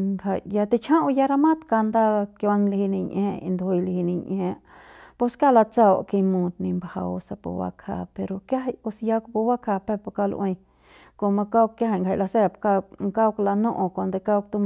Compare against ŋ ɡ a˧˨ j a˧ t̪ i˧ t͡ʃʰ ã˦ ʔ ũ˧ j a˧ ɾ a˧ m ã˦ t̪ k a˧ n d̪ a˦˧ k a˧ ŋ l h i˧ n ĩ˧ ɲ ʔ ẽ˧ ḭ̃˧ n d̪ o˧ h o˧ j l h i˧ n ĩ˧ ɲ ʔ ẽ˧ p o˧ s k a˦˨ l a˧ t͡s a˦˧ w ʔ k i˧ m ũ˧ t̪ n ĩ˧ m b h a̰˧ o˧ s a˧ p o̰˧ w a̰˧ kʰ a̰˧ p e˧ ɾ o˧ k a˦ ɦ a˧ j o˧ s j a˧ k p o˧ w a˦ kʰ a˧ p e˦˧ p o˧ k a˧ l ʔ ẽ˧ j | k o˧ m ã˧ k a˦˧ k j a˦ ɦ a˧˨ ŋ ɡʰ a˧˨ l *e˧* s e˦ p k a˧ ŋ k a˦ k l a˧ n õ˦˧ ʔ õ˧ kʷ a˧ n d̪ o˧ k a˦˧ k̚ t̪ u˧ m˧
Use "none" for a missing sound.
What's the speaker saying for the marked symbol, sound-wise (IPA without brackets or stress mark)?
a˧